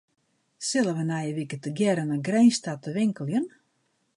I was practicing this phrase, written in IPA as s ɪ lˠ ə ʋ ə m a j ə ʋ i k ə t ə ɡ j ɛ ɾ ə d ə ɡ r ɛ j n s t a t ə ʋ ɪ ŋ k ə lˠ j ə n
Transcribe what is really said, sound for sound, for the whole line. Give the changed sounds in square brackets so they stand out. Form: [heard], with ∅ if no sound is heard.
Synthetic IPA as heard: s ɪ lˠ ə ʋ ə [n] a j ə ʋ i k ə t ə ɡ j ɛ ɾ ə [n] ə ɡ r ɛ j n s t a t ə ʋ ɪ ŋ k ə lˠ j ə n

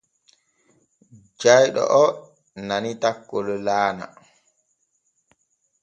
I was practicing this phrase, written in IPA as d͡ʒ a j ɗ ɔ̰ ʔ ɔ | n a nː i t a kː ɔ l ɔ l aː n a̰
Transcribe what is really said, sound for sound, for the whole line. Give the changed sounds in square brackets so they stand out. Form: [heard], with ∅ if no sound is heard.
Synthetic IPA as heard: d͡ʒ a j ɗ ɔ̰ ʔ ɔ | n a [n] i t a kː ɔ l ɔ l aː n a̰

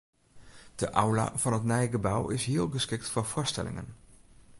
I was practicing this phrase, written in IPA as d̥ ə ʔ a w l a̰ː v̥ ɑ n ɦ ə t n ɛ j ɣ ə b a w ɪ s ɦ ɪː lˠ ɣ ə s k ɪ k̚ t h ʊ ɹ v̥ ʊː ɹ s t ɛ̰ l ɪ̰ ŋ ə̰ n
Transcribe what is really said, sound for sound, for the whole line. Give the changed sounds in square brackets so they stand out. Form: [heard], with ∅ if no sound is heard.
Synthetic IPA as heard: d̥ ə ʔ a w l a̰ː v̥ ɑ n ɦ ə t n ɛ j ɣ ə b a w ɪ s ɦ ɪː lˠ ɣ ə s k ɪ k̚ t [f] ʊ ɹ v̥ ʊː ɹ s t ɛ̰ l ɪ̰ ŋ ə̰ n

